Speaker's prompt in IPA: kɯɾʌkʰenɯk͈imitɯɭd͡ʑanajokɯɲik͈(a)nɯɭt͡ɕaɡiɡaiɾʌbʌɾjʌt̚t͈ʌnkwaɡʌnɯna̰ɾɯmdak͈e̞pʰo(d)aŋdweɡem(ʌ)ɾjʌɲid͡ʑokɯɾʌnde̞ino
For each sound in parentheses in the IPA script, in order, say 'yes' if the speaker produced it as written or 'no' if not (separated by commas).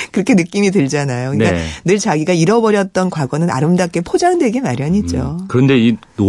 yes, no, no